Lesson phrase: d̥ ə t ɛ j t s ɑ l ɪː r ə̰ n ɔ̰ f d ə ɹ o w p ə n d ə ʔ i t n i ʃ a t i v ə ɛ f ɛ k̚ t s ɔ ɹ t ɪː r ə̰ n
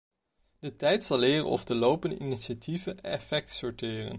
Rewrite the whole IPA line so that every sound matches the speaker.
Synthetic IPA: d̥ ə t ɛ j t s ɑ l ɪː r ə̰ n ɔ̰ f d ə l o w p ə n d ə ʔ i n i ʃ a t i v ə ɛ f ɛ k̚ t s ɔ ɹ t ɪː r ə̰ n